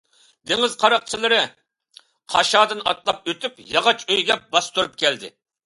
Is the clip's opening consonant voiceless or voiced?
voiced